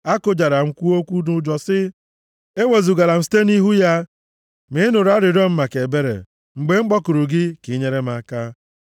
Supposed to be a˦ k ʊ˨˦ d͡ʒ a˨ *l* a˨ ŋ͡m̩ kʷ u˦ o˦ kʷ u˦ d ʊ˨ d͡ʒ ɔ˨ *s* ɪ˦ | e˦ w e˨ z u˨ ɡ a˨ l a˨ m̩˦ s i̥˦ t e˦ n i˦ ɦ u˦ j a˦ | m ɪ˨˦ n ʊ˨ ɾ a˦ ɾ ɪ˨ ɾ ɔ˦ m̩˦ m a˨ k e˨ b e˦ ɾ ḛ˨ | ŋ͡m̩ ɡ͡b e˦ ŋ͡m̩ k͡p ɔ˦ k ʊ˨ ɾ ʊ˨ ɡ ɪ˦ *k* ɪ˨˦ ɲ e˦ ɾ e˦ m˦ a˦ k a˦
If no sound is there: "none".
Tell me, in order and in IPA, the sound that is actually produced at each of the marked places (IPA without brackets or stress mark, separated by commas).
ɾ, s, k